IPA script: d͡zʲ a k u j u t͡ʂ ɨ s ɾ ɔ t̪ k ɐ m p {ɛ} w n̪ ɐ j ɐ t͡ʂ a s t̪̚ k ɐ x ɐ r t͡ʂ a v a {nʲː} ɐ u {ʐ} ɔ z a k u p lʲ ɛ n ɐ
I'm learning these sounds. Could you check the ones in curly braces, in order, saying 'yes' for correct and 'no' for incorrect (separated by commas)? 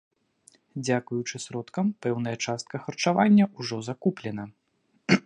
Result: yes, yes, yes